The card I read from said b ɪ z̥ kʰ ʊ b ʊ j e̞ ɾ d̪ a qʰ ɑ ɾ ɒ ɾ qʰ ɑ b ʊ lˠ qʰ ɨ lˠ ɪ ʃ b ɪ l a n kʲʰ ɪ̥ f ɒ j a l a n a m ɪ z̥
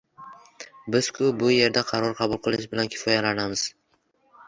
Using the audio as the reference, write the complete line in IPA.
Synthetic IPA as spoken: b ɪ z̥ kʰ ʊ b ʊ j e̞ ɾ d̪ a qʰ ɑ ɾ ɒ ɾ qʰ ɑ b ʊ lˠ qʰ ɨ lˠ ɪ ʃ b ɪ l a n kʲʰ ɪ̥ f ɒ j a l a n a m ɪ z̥